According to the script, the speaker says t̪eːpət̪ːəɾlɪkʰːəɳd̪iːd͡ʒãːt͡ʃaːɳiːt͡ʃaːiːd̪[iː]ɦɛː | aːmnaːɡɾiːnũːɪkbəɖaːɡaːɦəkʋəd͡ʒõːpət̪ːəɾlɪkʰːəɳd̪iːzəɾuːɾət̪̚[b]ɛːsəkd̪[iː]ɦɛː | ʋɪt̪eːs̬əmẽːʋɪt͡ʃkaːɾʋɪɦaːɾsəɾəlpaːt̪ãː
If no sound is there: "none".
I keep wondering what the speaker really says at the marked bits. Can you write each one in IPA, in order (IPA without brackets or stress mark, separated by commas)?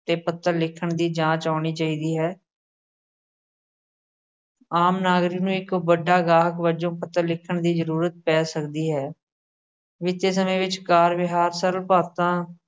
iː, p, iː